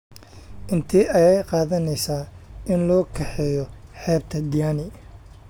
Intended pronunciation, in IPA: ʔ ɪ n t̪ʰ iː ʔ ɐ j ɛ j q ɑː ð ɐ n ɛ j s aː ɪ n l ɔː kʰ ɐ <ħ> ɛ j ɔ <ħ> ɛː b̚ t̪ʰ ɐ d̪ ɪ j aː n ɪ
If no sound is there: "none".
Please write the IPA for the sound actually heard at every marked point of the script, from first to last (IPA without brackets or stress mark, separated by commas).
ħ, ħ